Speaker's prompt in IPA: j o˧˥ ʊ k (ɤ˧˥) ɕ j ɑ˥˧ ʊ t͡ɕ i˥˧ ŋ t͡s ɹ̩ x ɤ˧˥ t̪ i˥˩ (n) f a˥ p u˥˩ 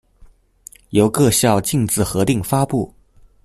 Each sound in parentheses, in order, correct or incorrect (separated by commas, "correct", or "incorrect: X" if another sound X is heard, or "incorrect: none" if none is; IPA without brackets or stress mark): incorrect: ɤ˥˧, incorrect: ŋ